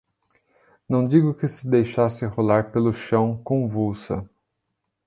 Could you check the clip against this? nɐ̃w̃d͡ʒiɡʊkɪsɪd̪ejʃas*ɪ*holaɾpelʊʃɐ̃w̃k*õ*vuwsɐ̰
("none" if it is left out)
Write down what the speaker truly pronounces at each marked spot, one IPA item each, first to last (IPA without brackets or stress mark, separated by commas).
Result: ɪ, õ